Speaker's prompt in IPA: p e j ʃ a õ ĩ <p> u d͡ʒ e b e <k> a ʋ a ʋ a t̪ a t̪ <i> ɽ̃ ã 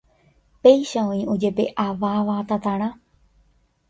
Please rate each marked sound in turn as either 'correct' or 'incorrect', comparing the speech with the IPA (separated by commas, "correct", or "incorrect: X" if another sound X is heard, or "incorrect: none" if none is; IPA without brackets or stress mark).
incorrect: none, incorrect: ʔ, incorrect: a